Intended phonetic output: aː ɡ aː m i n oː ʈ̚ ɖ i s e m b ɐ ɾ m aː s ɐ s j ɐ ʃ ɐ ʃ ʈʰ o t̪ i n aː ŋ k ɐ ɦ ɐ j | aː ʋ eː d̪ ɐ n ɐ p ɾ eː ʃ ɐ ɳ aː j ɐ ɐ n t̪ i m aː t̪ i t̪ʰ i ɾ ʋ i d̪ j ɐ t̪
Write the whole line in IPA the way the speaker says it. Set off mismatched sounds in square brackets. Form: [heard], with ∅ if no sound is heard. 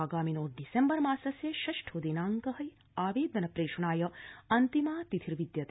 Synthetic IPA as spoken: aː ɡ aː m i n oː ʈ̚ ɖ i s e m b ɐ ɾ m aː s ɐ s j ɐ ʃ ɐ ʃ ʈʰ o [d̪] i n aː ŋ k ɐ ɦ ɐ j | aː ʋ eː d̪ ɐ n ɐ p ɾ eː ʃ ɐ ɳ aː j ɐ ɐ n t̪ i m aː t̪ i t̪ʰ i ɾ ʋ i d̪ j ɐ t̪